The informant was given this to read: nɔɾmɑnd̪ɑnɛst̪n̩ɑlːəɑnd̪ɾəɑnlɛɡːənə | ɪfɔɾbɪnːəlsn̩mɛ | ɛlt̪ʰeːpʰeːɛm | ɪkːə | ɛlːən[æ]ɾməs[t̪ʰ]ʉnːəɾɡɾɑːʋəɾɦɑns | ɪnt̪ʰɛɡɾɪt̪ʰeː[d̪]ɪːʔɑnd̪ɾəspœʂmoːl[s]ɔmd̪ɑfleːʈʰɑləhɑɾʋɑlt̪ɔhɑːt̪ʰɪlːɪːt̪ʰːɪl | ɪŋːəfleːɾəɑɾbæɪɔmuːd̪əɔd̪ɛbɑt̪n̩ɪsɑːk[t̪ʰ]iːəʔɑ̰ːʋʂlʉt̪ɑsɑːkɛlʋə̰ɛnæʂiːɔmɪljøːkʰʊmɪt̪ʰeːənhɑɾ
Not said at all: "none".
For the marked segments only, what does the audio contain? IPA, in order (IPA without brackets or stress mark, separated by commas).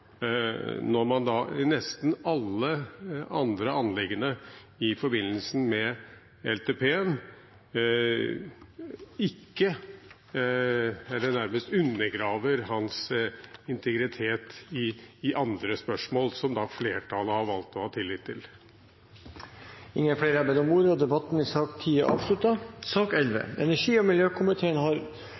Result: æ, t̪, t̪, s, t̪ʰ